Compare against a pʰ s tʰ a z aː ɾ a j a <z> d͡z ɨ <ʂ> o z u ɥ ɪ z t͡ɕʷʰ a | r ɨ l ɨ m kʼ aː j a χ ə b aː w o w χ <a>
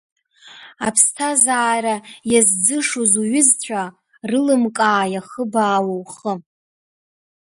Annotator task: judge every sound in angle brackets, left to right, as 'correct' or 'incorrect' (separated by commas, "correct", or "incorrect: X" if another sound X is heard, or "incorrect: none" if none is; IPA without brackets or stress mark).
correct, correct, incorrect: ə